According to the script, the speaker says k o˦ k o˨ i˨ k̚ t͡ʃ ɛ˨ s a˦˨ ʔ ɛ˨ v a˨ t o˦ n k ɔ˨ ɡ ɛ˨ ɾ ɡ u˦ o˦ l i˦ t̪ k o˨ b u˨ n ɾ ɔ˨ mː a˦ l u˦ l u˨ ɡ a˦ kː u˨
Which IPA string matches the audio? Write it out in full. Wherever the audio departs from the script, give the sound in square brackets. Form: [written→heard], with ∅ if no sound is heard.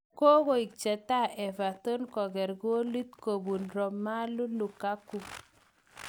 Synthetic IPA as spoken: k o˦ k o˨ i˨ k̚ t͡ʃ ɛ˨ [s→t] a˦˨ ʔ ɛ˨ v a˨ t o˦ n k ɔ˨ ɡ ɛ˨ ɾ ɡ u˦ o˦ l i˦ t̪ k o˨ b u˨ n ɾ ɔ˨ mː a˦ l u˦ l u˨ [ɡ→k] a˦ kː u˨

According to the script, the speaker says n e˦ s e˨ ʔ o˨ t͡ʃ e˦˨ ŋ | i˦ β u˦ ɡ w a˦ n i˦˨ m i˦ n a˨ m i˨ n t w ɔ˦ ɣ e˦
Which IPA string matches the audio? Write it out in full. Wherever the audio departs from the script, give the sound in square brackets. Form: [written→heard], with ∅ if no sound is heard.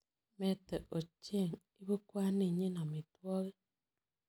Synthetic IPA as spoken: [n→m] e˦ [s→t] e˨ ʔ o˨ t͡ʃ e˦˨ ŋ | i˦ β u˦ [ɡ→k] w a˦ n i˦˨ [m→ɲ] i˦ n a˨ m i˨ [n→∅] t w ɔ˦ ɣ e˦

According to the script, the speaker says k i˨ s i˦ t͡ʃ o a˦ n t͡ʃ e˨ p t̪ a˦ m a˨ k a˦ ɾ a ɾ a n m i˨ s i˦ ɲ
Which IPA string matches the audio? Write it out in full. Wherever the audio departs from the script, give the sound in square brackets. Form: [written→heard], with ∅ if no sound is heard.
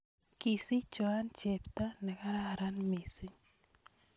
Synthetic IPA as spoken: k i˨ s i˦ t͡ʃ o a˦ n t͡ʃ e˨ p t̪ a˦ [m→n] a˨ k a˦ ɾ a ɾ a n m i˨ s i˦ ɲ

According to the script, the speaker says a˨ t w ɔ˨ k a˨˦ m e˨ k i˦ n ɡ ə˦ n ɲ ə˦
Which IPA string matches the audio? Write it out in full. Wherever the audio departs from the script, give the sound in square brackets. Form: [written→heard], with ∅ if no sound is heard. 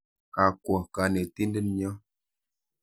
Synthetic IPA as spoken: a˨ [t→k] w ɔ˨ k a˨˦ [m→n] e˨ [k→t] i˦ n [ɡ→d] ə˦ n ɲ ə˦

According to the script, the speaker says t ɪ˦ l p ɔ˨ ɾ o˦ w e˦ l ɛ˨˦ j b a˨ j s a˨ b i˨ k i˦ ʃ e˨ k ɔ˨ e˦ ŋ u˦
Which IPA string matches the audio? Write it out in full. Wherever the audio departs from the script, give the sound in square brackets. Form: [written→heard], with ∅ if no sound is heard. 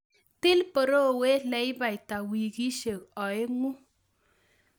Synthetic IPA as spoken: t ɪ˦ l p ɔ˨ ɾ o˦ w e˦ l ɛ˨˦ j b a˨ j [s→t] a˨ [b→w] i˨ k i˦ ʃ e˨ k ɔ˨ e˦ ŋ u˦

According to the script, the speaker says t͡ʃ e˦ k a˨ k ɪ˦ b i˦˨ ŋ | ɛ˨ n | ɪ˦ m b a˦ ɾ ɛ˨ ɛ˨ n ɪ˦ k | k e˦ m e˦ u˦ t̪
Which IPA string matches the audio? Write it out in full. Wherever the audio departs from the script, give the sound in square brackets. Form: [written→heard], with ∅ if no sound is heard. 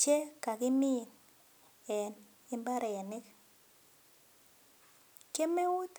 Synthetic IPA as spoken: t͡ʃ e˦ k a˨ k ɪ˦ [b→m] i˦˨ [ŋ→n] | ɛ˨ n | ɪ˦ m b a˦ ɾ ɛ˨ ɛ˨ n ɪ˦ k | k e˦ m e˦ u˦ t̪

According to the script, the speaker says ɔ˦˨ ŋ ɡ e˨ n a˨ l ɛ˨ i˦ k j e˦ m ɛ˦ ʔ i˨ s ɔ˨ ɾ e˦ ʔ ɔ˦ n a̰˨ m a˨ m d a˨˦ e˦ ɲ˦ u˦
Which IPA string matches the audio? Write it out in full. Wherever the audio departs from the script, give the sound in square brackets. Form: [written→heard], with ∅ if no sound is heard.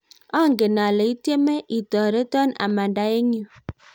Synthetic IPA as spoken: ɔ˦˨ ŋ ɡ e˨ n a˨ l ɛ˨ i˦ [k→t] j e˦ m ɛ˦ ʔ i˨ [s→t] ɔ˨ ɾ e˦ [ʔ→t] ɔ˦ n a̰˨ m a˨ [m→n] d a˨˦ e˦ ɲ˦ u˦

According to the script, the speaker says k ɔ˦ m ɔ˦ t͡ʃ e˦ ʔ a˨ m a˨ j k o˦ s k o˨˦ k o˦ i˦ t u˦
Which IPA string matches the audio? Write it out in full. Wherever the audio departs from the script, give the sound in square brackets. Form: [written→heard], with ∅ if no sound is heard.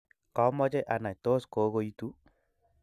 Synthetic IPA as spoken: k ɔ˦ m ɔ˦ t͡ʃ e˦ ʔ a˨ [m→n] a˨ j [k→t] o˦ s k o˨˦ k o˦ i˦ t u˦

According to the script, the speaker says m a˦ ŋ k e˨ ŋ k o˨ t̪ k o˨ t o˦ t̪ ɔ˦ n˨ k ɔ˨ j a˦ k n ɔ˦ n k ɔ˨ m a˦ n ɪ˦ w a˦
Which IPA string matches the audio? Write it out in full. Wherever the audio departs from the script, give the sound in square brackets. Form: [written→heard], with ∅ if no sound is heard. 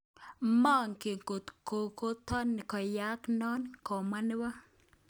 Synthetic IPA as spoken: m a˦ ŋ k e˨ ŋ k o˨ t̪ k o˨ [t→k] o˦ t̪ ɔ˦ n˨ k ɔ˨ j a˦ k n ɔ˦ n k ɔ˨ m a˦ n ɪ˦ w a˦

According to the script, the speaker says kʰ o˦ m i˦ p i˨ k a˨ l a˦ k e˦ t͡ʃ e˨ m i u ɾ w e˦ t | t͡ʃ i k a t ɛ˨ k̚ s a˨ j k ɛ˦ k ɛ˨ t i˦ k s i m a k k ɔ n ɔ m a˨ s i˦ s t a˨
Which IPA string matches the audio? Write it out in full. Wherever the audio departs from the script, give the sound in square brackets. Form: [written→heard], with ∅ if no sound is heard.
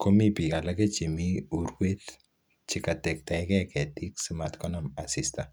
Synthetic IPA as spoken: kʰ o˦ m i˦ p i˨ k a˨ l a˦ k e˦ t͡ʃ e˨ m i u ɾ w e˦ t | t͡ʃ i k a t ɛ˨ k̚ [s→t] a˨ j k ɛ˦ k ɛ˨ t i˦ k s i m a [k→t] k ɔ n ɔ m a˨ s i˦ s t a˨

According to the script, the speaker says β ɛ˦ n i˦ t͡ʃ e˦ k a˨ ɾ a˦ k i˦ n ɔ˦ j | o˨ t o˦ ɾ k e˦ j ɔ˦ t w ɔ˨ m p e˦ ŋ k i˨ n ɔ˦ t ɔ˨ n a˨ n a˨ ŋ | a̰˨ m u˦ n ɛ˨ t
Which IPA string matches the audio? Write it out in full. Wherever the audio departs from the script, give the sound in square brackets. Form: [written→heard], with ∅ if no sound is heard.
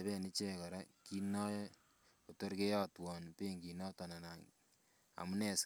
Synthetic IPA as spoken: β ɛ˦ n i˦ t͡ʃ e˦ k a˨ ɾ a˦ k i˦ n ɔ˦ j | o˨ t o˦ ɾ k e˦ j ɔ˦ t w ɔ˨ [m→n] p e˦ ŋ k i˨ n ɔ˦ t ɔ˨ n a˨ n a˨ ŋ | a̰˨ m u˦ n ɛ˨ [t→s]

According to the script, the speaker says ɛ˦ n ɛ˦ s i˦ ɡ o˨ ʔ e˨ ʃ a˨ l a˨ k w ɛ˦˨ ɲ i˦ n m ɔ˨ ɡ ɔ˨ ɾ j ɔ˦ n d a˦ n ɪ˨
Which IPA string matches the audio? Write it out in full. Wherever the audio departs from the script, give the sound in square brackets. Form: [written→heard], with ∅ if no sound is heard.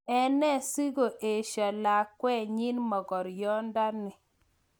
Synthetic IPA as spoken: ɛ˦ n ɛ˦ s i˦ ɡ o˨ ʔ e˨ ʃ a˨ l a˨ k w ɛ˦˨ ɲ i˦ n m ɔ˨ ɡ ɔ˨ ɾ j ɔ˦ n d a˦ n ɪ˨

